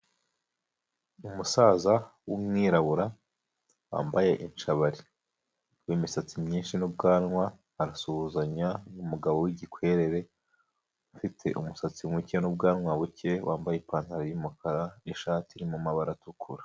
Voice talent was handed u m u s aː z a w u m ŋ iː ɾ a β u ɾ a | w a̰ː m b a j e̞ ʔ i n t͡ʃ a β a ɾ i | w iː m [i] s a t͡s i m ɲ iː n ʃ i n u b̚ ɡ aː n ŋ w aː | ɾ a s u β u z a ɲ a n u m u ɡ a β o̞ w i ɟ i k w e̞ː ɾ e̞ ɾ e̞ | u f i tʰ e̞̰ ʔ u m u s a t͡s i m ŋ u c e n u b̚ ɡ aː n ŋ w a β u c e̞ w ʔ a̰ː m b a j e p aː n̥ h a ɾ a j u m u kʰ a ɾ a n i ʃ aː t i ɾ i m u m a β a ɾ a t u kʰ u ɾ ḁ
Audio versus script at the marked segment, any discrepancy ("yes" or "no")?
no